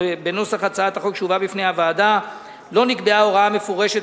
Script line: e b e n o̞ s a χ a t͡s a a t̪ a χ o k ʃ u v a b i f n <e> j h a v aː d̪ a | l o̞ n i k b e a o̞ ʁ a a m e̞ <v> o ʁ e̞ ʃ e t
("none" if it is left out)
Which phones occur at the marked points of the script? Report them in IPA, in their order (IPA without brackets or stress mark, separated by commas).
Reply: e, f